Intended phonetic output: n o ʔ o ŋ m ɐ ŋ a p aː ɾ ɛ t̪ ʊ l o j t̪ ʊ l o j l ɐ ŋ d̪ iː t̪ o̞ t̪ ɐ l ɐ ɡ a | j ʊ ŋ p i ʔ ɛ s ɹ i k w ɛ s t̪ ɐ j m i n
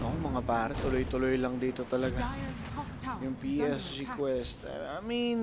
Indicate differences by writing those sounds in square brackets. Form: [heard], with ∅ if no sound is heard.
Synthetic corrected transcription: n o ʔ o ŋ m ɐ ŋ a p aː ɾ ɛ t̪ ʊ l o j t̪ ʊ l o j l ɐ ŋ d̪ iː t̪ o̞ t̪ ɐ l ɐ ɡ a | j ʊ ŋ p i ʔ ɛ s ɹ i k w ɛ s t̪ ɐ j m i n